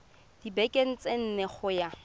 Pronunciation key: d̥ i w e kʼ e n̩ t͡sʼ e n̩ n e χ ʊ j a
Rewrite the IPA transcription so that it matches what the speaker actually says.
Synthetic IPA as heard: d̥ i b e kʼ e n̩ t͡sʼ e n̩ n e χ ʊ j a